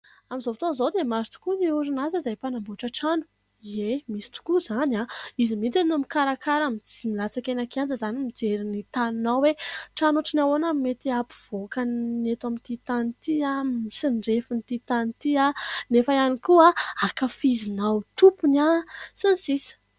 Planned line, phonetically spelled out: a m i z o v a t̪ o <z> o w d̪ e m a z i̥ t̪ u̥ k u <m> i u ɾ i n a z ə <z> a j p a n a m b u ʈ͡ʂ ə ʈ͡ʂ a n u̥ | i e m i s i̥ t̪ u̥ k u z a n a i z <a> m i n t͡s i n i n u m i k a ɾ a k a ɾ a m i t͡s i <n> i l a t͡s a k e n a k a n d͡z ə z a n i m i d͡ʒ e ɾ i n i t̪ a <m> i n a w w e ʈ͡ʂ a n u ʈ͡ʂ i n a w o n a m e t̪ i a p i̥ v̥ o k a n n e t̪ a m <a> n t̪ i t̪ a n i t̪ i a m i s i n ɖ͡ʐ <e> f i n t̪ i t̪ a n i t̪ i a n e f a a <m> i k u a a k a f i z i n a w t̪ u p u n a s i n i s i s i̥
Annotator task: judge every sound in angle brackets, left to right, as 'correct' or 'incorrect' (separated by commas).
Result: correct, incorrect, correct, incorrect, incorrect, incorrect, incorrect, correct, incorrect